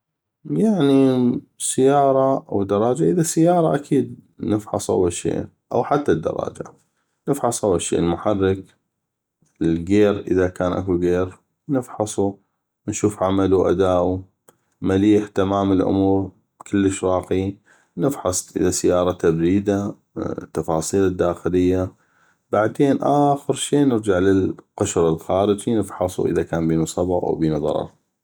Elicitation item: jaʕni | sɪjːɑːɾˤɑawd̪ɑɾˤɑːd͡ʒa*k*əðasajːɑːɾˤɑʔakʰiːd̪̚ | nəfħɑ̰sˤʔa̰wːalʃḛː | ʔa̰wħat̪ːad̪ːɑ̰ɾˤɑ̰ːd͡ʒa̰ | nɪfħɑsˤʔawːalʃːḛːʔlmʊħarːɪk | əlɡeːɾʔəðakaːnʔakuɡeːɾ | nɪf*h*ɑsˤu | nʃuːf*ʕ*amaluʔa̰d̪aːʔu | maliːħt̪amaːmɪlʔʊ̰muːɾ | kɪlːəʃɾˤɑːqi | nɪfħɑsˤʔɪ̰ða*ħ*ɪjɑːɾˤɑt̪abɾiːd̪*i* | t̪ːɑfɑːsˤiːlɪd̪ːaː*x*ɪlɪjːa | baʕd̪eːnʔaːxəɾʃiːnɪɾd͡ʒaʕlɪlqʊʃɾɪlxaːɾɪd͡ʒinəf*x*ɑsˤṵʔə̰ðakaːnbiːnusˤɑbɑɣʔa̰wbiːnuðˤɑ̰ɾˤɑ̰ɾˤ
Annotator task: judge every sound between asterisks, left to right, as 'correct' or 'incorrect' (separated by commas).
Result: incorrect, incorrect, correct, incorrect, incorrect, correct, incorrect